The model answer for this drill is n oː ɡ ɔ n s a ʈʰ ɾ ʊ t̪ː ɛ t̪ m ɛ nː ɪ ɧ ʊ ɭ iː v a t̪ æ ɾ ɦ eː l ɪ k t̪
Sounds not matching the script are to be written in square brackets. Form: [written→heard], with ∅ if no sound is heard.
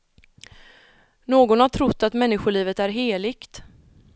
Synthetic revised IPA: n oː ɡ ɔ n [s→h] a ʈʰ ɾ ʊ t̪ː [ɛ→a] t̪ m ɛ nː ɪ ɧ ʊ ɭ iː v [a→ə] t̪ æ ɾ ɦ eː l ɪ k t̪